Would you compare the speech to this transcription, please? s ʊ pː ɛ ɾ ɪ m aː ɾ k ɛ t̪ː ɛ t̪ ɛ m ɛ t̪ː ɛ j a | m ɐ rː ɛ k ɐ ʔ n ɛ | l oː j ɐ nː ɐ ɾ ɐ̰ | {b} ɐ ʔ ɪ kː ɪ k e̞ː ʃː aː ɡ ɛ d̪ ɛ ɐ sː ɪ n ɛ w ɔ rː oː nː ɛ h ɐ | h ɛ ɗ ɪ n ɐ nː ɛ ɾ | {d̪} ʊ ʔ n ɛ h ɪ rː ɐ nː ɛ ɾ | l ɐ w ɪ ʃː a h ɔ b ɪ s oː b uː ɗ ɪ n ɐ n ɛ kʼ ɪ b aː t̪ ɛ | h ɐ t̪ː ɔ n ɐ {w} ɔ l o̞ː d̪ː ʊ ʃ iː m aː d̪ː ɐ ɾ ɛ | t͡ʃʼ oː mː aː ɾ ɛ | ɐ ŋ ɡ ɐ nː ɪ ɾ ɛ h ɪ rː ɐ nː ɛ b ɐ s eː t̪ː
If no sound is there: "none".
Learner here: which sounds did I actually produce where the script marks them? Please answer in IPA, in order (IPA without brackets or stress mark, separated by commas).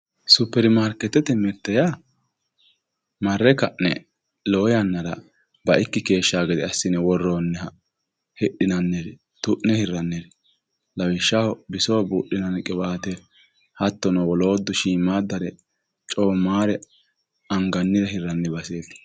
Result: b, t̪, w